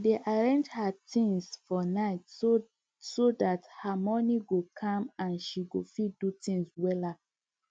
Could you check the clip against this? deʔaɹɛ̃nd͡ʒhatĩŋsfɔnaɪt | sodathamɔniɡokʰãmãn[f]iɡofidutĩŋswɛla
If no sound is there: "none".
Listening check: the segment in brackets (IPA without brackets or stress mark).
ʃ